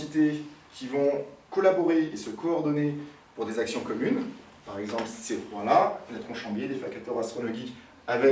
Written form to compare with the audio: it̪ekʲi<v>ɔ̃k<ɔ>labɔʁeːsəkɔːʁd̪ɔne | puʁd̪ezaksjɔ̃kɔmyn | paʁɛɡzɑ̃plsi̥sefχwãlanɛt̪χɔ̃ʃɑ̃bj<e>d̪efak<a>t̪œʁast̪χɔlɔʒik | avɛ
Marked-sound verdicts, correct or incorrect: correct, correct, correct, correct

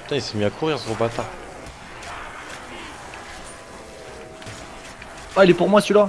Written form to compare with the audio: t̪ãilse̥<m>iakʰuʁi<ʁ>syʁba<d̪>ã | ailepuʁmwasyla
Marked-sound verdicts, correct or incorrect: correct, correct, incorrect

